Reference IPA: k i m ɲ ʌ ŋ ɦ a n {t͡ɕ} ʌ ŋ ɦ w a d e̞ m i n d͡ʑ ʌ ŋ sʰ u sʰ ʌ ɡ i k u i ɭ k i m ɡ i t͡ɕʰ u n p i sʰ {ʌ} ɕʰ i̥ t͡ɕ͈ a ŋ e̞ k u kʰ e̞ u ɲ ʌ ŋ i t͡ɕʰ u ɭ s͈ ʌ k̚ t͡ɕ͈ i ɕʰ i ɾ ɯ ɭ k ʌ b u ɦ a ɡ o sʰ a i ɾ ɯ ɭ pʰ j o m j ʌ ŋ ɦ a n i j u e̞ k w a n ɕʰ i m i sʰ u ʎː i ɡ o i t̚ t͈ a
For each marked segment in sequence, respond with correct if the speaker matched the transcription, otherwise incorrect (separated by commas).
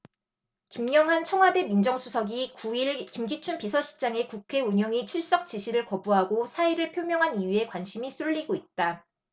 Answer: incorrect, correct